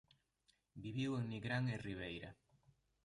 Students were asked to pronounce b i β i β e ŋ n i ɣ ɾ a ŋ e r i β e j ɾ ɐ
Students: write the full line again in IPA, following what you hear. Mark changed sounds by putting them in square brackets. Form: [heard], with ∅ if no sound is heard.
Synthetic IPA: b i β i [w] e ŋ n i ɣ ɾ a ŋ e r i β e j ɾ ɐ